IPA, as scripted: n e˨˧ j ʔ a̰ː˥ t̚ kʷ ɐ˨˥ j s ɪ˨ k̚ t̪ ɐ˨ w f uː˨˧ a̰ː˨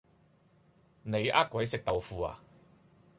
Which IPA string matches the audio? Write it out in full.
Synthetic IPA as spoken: n e˨˧ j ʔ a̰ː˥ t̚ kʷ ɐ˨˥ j s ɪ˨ k̚ t̪ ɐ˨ w f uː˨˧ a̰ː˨